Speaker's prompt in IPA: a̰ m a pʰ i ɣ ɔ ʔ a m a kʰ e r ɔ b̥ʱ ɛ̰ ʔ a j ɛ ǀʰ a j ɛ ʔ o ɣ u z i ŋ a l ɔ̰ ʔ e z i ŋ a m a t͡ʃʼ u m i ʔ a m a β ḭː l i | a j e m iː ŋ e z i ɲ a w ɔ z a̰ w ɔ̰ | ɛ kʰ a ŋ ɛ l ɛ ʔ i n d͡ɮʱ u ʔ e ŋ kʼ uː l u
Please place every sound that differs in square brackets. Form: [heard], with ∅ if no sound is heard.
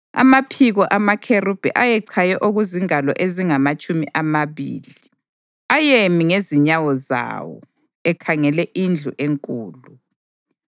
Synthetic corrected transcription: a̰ m a pʰ i ɣ ɔ ʔ a m a kʰ e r [u] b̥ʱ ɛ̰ ʔ a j ɛ ǀʰ a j ɛ ʔ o ɣ u z i ŋ a l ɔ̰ ʔ e z i ŋ a m a t͡ʃʼ u m i ʔ a m a β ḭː l i | a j e m [i] ŋ e z i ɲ a w ɔ z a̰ w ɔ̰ | ɛ kʰ a ŋ ɛ l ɛ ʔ i n d͡ɮʱ u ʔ e ŋ kʼ uː l u